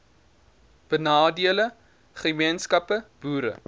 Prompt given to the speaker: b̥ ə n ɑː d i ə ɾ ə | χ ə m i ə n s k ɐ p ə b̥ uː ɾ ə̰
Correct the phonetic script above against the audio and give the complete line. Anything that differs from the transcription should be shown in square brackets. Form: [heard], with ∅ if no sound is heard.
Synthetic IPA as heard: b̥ ə n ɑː d i ə [l] ə | χ ə m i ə n s k ɐ p ə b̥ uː ɾ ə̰